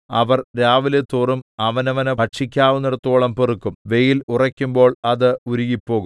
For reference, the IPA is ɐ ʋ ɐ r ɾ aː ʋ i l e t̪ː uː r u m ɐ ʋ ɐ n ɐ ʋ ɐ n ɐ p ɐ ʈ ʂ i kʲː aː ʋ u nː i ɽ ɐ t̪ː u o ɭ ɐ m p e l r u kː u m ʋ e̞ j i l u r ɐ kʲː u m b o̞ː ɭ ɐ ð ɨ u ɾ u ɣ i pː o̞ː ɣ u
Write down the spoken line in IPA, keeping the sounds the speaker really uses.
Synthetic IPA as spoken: ɐ ʋ ɐ r ɾ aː ʋ i l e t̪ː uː r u m ɐ ʋ ɐ n ɐ ʋ ɐ n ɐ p ɐ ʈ ʂ i kʲː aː ʋ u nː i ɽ ɐ t̪ː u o ɭ ɐ m p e r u kː u m ʋ e̞ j i l u r ɐ kʲː u m b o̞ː ɭ ɐ ð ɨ u ɾ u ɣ i pː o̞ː ɣ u